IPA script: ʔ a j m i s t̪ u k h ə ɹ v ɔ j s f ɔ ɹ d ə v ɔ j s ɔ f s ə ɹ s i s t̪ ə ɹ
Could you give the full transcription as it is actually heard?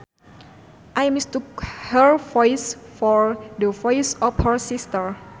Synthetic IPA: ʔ a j m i s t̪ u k h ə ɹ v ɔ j s f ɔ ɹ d ə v ɔ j s ɔ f h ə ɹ s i s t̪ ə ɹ

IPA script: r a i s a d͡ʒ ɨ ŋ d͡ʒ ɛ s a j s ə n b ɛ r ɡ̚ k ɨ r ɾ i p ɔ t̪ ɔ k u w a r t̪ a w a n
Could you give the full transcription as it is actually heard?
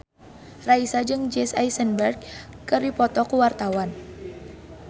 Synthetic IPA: r a i s a d͡ʒ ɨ ŋ d͡ʒ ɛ s a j s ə n b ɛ r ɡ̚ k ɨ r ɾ i p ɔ t̪ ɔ k u w a r t̪ a w a n

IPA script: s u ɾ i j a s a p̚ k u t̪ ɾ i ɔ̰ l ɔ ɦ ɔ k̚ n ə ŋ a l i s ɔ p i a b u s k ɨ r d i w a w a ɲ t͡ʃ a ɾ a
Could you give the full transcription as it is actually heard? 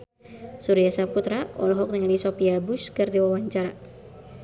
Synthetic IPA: s u ɾ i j a s a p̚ k u t̪ ɾ a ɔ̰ l ɔ ɦ ɔ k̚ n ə ŋ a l i s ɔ p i a b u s k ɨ r d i w a w a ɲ t͡ʃ a ɾ a

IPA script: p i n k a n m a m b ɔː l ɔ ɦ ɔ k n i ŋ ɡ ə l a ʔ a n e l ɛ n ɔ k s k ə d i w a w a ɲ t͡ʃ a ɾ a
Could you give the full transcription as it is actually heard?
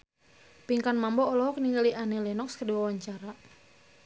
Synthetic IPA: p i ŋ k a n m a m b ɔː l ɔ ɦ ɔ k n i ŋ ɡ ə l i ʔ a n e l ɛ n ɔ k s k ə d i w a w a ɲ t͡ʃ a ɾ a

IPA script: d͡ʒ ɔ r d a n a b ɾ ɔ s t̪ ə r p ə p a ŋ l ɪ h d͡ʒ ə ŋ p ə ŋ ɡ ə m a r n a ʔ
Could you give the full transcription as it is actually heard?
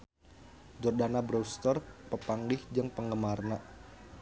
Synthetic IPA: d͡ʒ ɔ r d a n a b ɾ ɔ s t̪ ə r p ə p a ŋ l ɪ h d͡ʒ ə ŋ p ə ŋ ɡ ə m a r n a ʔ

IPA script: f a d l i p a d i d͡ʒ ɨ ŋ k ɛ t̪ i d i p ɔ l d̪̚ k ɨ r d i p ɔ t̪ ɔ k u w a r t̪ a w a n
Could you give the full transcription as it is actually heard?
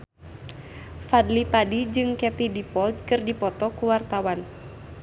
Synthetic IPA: f a d l i p a d i d͡ʒ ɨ ŋ k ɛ t̪ i d i p ɔ l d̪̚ k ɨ r d i p ɔ t̪ ɔ k u w a r t̪ a w a n

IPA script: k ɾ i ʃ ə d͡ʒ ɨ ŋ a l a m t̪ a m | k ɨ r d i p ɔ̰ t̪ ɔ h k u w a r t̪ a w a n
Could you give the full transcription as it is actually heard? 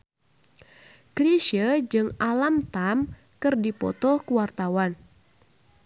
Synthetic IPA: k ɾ i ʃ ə d͡ʒ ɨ ŋ a l a m t̪ a m | k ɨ r d i p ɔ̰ t̪ ɔ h k u w a r t̪ a w a n

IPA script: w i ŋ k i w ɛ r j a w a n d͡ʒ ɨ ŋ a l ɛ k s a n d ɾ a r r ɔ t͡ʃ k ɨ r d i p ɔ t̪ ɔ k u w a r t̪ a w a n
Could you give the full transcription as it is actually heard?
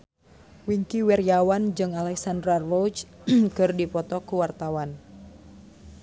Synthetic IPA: w i ŋ k i w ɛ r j a w a n d͡ʒ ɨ ŋ a l ɛ k s a n d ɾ a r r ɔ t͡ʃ k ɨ r d i p ɔ t̪ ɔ k u w a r t̪ a w a n

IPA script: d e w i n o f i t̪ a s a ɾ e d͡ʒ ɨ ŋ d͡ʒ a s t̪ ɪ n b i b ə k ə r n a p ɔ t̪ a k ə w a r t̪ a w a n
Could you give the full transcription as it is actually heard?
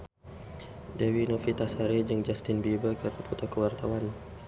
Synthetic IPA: d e w i n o f i t̪ a s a ɾ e d͡ʒ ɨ ŋ d͡ʒ a s t̪ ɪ n b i b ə k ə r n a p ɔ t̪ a k ə w a r t̪ a w a n

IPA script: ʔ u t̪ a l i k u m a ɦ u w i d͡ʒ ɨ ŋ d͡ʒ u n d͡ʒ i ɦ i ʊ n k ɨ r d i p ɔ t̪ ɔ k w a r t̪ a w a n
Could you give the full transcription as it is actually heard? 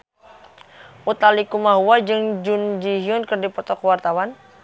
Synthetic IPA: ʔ u t̪ a l i k u m a ɦ u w a d͡ʒ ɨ ŋ d͡ʒ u n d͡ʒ i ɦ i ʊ n k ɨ r d i p ɔ t̪ ɔ k w a r t̪ a w a n

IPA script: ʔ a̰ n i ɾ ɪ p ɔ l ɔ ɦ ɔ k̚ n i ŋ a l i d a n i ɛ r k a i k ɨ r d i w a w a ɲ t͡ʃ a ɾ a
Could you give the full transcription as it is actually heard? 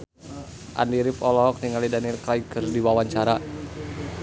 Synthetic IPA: ʔ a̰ n i ɾ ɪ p ɔ l ɔ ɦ ɔ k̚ n i ŋ a l i d a n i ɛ l k a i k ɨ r d i w a w a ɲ t͡ʃ a ɾ a

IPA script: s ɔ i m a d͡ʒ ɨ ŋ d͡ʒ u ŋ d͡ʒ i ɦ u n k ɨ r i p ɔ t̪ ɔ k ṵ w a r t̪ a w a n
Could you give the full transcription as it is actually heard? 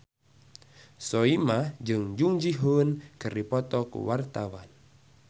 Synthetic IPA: s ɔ i m a d͡ʒ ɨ ŋ d͡ʒ u ŋ d͡ʒ i ɦ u n k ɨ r i p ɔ t̪ ɔ k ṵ w a r t̪ a w a n

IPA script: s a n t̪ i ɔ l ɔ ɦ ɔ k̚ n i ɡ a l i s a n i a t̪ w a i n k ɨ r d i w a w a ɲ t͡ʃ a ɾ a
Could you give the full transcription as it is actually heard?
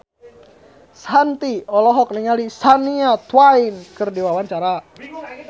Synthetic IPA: s a n t̪ i ɔ l ɔ ɦ ɔ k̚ n i ŋ a l i s a n i a t̪ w a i n k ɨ r d i w a w a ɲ t͡ʃ a ɾ a

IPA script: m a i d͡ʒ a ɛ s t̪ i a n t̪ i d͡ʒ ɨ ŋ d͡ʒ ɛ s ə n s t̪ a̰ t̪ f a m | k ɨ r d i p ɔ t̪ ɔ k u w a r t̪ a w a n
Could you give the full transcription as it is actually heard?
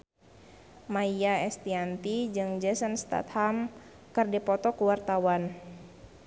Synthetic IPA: m a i a ɛ s t̪ i a n t̪ i d͡ʒ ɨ ŋ d͡ʒ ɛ s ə n s t̪ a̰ t̪ h a m | k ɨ r d i p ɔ t̪ ɔ k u w a r t̪ a w a n

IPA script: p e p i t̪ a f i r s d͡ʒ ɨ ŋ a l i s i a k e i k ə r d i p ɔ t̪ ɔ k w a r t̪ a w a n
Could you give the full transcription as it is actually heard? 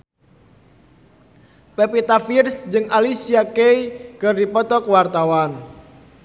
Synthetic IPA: p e p i t̪ a f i r s d͡ʒ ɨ ŋ a l i s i a k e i k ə r d i p ɔ t̪ ɔ k w a r t̪ a w a n

